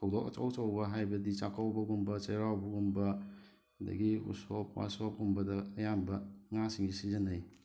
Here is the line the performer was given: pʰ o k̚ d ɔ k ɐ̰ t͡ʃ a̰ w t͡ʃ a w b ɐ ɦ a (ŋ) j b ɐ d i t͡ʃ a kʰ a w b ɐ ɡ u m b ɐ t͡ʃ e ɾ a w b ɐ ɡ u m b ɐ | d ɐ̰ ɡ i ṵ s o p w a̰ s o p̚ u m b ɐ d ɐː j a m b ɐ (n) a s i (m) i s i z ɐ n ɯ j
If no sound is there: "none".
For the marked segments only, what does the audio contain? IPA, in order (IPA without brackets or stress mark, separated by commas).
none, ŋ, ŋ